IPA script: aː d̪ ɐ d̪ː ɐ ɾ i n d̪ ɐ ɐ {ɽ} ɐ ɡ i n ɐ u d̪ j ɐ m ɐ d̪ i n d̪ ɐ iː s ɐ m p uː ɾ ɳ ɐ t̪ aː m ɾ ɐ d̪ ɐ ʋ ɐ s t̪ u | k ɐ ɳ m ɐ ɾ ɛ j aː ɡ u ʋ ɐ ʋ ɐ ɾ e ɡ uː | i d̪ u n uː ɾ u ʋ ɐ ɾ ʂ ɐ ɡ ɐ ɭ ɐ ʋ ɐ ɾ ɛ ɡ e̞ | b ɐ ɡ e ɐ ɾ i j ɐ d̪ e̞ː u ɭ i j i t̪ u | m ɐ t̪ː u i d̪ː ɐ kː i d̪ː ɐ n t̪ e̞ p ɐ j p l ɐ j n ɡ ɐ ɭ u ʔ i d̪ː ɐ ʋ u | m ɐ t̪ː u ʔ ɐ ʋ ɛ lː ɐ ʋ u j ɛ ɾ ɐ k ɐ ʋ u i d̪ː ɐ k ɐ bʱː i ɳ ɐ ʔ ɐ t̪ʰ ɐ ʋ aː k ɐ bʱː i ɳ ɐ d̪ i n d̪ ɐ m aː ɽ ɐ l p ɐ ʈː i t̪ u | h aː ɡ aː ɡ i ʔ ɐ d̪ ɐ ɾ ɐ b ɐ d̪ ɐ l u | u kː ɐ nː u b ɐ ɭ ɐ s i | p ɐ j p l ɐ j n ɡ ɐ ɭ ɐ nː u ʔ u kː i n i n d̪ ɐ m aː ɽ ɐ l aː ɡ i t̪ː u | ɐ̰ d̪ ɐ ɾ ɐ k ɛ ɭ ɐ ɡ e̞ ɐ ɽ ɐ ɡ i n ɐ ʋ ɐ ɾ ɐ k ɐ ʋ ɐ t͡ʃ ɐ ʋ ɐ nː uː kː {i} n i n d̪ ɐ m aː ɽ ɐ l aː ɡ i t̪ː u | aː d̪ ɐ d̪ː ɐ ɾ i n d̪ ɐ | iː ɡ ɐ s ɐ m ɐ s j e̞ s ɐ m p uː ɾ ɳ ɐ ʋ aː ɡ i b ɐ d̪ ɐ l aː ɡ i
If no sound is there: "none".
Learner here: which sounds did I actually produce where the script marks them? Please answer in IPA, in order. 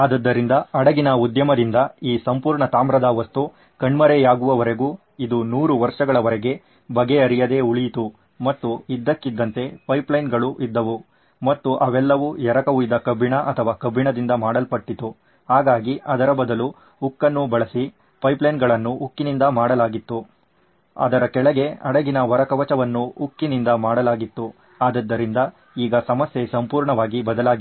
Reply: ɽ, i

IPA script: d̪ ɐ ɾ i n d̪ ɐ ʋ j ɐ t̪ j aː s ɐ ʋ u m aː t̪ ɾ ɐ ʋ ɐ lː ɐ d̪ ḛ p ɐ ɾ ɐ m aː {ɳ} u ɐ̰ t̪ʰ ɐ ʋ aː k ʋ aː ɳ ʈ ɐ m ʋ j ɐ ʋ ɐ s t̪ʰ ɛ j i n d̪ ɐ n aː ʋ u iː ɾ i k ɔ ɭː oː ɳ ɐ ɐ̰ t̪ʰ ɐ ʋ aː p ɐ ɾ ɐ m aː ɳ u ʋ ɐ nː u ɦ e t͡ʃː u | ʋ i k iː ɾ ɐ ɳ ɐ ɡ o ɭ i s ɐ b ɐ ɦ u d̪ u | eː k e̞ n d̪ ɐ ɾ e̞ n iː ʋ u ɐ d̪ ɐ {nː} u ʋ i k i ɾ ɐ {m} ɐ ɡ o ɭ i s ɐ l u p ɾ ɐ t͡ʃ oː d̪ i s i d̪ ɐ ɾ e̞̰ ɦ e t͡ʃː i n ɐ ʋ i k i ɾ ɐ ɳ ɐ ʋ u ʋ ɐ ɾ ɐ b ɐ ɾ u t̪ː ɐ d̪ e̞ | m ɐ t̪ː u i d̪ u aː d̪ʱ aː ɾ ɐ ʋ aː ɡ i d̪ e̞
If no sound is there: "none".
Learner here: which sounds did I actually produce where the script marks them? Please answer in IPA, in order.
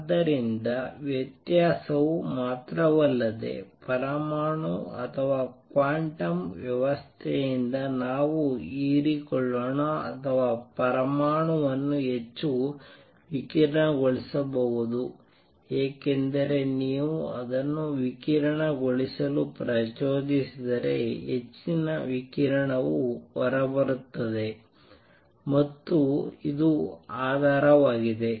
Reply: ɳ, nː, ɳ

